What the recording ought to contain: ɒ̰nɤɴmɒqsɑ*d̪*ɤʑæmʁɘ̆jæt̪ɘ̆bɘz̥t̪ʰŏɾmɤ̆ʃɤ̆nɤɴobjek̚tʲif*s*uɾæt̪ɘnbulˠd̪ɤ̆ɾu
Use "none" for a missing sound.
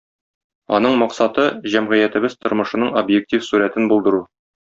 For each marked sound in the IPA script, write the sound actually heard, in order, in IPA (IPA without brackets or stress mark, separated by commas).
t̪, s